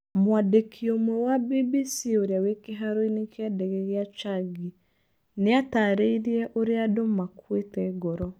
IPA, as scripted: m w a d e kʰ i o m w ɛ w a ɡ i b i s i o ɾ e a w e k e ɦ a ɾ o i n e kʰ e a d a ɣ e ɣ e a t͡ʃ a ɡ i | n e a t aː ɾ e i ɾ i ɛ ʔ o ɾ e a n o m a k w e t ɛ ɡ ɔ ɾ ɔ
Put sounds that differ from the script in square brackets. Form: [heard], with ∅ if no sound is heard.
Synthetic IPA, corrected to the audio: m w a d e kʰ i o m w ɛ w a [b] i b i s i o ɾ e a w e k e ɦ a ɾ o i n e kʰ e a d [ɛ] ɣ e ɣ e a t͡ʃ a ɡ i | n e a t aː ɾ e i ɾ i ɛ ʔ o ɾ e a [d] o m a k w e t ɛ ɡ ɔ ɾ ɔ